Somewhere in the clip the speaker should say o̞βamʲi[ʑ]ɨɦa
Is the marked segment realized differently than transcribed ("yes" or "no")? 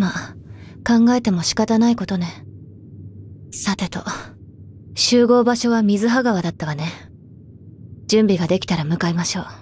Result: yes